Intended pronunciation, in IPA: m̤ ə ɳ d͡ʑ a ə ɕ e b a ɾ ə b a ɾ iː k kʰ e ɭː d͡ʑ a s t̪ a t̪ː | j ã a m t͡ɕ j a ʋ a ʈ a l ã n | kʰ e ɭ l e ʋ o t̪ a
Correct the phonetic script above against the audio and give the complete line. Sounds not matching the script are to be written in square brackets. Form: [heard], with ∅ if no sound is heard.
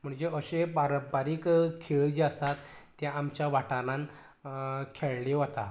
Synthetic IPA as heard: m̤ ə ɳ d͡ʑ [e] ə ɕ e b a ɾ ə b a ɾ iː k kʰ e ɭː d͡ʑ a s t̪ a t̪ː | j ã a m t͡ɕ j a ʋ a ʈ a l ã n | kʰ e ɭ l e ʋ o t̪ a